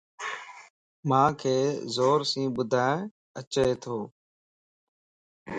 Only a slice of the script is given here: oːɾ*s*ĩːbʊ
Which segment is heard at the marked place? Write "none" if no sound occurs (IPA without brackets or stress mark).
s